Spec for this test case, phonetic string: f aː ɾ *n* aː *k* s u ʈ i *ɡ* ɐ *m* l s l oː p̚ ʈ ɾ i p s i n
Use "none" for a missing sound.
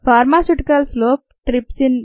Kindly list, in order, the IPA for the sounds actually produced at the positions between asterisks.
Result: m, none, k, none

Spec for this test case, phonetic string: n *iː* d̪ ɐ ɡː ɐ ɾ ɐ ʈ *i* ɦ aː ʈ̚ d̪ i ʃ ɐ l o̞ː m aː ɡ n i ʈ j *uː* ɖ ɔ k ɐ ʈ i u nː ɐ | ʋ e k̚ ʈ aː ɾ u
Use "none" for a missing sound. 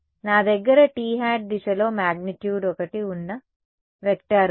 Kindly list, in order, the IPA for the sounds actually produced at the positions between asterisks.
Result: aː, iː, uː

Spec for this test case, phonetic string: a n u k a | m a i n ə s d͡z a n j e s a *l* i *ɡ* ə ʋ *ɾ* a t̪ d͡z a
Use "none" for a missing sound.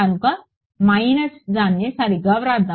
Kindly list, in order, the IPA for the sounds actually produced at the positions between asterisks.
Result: ɾ, ɡ, ɾ

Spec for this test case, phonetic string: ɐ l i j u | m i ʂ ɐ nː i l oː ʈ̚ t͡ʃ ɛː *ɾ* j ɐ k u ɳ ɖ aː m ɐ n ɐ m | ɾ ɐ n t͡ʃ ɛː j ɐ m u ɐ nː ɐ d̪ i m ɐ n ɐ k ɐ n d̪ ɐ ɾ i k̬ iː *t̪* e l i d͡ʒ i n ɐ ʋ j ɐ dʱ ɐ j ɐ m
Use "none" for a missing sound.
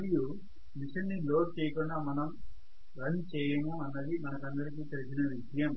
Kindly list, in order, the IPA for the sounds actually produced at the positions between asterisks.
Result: none, t̪

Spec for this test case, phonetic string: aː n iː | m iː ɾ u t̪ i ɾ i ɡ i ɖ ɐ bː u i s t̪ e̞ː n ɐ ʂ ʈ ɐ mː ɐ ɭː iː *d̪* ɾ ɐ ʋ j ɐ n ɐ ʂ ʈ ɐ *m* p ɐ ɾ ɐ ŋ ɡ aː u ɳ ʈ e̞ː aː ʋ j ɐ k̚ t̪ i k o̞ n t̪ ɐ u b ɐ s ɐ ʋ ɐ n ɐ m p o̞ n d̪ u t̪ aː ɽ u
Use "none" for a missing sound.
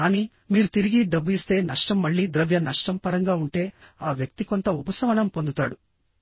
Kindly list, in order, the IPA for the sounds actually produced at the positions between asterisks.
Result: d̪, m

